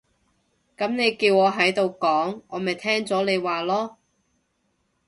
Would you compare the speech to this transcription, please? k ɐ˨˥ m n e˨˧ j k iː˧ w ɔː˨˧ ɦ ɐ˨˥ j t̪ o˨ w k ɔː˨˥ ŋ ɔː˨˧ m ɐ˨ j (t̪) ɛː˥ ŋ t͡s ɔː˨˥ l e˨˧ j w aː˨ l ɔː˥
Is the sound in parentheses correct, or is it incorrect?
incorrect